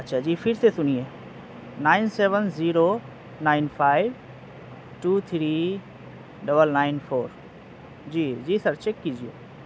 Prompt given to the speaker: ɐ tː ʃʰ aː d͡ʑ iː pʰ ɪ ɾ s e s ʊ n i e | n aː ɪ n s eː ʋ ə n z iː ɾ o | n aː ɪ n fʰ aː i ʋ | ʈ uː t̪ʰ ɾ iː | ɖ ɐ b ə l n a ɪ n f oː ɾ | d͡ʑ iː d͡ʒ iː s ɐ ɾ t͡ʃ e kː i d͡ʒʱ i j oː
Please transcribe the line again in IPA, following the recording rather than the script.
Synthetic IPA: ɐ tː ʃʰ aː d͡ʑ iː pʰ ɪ ɾ s e s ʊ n i e | n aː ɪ n s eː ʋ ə n z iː ɾ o | n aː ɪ n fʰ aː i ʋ | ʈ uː t̪ʰ ɾ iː | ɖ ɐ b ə l n a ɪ n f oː ɾ | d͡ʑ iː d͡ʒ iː s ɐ ɾ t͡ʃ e kː i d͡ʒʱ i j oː

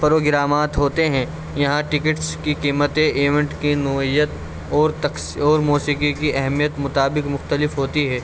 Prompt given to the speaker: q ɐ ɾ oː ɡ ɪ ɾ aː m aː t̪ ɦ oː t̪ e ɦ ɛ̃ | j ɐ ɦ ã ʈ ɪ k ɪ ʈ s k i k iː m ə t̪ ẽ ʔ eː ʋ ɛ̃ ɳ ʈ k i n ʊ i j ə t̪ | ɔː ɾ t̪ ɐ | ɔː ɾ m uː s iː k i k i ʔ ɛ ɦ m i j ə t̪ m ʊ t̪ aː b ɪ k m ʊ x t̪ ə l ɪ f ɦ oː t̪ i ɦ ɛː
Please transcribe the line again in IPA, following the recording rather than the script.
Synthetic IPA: p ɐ ɾ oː ɡ ɪ ɾ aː m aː t̪ ɦ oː t̪ e ɦ ɛ̃ | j ɐ ɦ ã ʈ ɪ k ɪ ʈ s k i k iː m ə t̪ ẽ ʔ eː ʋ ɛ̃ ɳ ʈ k i n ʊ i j ə t̪ | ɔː ɾ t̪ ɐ | ɔː ɾ m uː s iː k i k i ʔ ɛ ɦ m i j ə t̪ m ʊ t̪ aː b ɪ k m ʊ x t̪ ə l ɪ f ɦ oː t̪ i ɦ ɛː

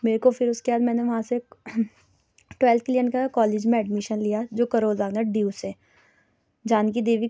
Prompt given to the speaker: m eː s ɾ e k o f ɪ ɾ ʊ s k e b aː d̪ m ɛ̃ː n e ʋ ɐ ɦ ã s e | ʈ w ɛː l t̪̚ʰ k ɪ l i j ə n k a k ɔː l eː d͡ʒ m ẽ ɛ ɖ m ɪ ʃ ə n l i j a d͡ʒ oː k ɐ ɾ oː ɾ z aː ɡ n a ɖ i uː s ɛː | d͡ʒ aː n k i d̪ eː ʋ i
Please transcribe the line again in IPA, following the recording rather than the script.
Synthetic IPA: m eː ɾ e k o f ɪ ɾ ʊ s k e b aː d̪ m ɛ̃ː n e ʋ ɐ ɦ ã s e | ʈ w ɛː l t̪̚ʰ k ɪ l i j ə n k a k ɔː l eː d͡ʒ m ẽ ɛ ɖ m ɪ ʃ ə n l i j a d͡ʒ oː k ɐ ɾ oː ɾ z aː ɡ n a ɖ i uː s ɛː | d͡ʒ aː n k i d̪ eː ʋ i

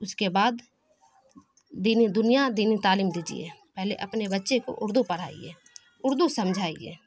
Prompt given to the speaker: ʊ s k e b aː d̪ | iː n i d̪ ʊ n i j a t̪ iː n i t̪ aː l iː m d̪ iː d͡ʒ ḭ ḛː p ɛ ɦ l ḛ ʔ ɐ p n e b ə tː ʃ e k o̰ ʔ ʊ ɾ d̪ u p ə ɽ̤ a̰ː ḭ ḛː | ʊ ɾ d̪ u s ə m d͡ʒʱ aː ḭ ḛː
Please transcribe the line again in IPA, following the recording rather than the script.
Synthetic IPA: ʊ s k e b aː d̪ | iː n i d̪ ʊ n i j a d̪ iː n i t̪ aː l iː m d̪ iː d͡ʒ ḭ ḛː p ɛ ɦ l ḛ ʔ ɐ p n e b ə tː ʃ e k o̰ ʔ ʊ ɾ d̪ u p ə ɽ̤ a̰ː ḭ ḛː | ʊ ɾ d̪ u s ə m d͡ʒʱ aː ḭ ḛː

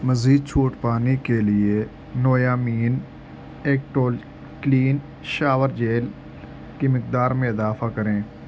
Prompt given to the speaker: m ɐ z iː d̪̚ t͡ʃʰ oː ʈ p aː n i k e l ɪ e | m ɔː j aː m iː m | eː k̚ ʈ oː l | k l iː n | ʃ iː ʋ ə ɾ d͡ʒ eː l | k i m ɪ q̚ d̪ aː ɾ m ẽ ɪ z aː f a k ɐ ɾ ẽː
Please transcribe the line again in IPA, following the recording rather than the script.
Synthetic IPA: m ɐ z iː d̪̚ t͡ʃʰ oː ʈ p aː n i k e l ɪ e | n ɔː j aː m iː n | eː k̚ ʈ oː l | k l iː n | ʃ aː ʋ ə ɾ d͡ʒ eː l | k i m ɪ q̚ d̪ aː ɾ m ẽ ɪ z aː f a k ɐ ɾ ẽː

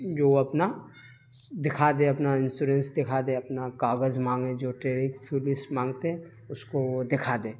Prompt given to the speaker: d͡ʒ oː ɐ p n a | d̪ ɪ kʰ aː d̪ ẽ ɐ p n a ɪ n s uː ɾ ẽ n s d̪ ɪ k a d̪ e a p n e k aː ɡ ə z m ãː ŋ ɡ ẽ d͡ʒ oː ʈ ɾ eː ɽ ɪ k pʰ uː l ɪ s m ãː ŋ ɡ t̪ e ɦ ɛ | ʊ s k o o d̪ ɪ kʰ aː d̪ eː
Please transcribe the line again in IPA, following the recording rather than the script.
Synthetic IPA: d͡ʒ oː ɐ p n a | d̪ ɪ kʰ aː d̪ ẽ ɐ p n a ɪ n s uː ɾ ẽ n s d̪ ɪ kʰ a d̪ e ɐ p n a k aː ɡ ə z m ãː ŋ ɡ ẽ d͡ʒ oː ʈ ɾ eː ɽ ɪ k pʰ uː l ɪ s m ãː ŋ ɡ t̪ e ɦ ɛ | ʊ s k o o d̪ ɪ kʰ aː d̪ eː

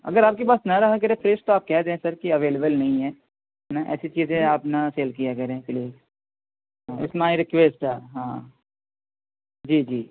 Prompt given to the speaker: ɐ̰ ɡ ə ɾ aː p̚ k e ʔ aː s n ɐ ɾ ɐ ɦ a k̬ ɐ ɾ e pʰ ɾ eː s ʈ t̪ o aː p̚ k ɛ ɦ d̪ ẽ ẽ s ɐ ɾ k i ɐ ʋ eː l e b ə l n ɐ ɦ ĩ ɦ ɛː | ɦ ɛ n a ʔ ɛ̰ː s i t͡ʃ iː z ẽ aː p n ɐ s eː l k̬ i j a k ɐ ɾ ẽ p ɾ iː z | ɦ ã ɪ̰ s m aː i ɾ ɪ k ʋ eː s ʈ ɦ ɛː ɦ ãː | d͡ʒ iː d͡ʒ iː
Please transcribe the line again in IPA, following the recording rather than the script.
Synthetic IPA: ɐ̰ ɡ ə ɾ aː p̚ k e p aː s n ɐ ɾ ɐ ɦ a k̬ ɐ ɾ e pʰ ɾ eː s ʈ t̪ o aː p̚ k ɛ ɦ d̪ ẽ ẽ s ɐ ɾ k i ɐ ʋ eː l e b ə l n ɐ ɦ ĩ ɦ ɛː | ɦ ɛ n a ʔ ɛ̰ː s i t͡ʃ iː z ẽ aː p n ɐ s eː l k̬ i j a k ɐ ɾ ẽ p l iː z | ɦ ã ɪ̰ s m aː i ɾ ɪ k ʋ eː s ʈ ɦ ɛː ɦ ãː | d͡ʒ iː d͡ʒ iː

